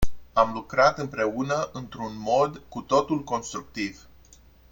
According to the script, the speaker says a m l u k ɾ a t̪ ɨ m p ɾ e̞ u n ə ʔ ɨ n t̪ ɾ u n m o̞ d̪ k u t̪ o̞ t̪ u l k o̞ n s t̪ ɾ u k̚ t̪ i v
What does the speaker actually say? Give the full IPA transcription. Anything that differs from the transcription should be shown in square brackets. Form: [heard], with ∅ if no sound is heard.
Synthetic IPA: a m l u k ɾ a t̪ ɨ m p ɾ e̞ u n ə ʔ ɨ n t̪ ɾ u n m o̞ d̪ k u t̪ o̞ t̪ u l k o̞ n s t̪ ɾ u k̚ t̪ i v